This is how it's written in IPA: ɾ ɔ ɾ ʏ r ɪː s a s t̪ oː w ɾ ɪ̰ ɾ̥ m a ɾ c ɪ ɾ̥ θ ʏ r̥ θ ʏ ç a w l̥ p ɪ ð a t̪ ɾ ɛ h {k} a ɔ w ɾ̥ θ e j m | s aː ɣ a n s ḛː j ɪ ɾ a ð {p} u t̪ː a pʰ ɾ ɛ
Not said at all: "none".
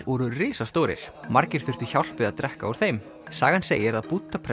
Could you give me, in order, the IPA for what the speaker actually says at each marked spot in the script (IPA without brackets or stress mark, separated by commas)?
k, p